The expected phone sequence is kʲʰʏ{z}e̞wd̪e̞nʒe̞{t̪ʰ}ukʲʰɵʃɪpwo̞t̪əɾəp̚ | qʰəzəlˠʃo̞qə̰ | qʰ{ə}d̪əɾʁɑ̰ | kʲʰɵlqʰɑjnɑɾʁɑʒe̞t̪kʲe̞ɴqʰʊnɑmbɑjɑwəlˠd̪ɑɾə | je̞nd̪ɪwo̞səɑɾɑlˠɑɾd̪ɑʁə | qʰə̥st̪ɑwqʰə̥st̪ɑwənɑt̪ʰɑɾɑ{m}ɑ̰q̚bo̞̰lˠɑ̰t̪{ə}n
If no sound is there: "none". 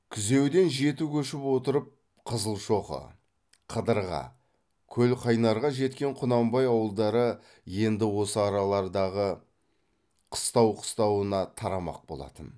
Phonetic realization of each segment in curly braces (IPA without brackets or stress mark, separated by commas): z, t̪, ə, m, ə